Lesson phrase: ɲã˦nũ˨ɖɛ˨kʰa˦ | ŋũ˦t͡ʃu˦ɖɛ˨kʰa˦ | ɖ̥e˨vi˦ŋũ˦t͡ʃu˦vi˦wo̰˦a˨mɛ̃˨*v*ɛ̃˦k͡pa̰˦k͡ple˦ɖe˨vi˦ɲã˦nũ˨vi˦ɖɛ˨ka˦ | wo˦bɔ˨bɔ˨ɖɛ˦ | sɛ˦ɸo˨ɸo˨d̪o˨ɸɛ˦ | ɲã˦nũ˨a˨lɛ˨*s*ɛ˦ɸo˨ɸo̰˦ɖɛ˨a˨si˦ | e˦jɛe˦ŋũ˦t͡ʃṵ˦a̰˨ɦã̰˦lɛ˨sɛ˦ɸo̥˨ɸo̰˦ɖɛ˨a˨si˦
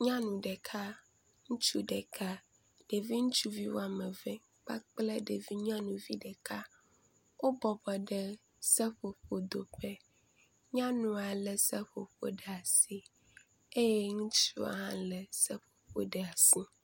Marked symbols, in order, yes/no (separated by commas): yes, yes